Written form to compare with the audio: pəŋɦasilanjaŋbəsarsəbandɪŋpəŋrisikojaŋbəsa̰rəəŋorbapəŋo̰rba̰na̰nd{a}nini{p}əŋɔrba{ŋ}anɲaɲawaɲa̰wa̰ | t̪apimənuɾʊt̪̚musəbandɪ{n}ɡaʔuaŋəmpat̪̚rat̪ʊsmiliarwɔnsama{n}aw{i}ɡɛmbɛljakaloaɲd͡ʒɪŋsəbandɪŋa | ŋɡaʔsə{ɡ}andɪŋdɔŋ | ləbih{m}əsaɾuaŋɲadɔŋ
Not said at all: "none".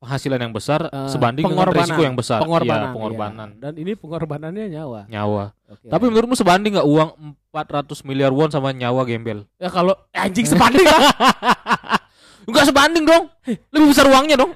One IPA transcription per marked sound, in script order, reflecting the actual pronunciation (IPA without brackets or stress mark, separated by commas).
a, p, n, ŋ, ɲ, a, b, b